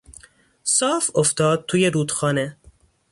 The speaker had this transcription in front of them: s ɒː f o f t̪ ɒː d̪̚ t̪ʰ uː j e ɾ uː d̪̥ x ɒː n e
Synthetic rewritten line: s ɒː f o f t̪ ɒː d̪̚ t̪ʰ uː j e ɾ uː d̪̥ x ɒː n e